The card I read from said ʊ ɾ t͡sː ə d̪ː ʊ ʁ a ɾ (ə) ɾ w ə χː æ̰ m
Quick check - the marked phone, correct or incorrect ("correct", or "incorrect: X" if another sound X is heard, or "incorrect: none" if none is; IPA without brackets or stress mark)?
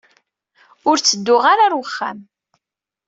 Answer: incorrect: a